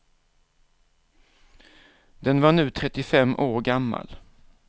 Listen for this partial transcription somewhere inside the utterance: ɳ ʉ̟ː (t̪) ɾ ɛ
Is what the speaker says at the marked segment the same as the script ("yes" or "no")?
no